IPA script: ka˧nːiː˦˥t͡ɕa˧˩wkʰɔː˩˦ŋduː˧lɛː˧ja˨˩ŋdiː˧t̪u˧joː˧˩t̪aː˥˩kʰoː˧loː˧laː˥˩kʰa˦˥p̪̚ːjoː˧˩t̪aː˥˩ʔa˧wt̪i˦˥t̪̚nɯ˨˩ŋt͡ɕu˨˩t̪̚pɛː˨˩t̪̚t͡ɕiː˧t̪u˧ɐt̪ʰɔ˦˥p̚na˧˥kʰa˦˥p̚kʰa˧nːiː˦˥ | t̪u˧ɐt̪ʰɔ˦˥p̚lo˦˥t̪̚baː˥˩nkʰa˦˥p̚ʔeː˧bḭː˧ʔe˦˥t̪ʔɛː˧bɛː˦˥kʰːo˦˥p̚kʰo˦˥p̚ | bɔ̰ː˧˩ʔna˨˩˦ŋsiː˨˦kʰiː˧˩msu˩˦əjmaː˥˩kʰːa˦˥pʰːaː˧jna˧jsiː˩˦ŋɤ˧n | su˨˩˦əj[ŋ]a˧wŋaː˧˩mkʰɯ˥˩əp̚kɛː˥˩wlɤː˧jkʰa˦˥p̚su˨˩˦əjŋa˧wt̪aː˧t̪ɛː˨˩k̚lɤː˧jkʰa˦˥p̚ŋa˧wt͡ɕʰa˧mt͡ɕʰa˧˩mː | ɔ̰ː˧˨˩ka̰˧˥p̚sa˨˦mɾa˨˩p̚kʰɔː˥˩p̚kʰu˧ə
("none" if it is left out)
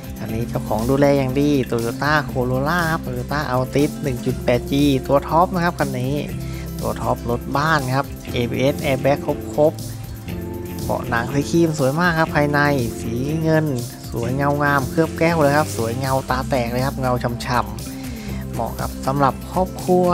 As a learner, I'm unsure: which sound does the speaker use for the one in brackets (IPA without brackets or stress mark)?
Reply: ŋ